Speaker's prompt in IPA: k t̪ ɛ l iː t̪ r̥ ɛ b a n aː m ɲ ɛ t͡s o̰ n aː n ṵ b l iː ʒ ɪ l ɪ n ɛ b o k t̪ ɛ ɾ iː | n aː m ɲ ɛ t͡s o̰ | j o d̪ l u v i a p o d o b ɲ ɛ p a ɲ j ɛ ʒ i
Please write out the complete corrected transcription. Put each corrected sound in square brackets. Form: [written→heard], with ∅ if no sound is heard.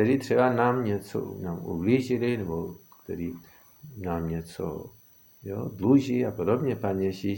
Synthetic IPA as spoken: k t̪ ɛ [l→ɾ] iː t̪ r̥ ɛ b a n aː m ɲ ɛ t͡s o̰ n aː [n→m] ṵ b l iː ʒ ɪ l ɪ n ɛ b o k t̪ ɛ ɾ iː | n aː m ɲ ɛ t͡s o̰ | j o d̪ l u [v→ʒ] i a p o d o b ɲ ɛ p a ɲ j ɛ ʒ i